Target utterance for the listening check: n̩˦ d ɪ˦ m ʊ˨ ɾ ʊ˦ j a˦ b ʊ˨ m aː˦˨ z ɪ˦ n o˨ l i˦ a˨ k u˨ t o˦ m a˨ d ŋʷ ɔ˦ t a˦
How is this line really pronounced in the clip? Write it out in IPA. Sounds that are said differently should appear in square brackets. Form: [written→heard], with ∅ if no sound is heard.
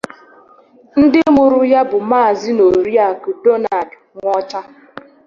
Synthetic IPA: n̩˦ d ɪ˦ m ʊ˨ ɾ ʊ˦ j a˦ b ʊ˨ m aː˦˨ z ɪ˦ n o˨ [l→ɾ] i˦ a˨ k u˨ [t→d] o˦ [m→n] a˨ d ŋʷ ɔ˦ [t→t͡ʃ] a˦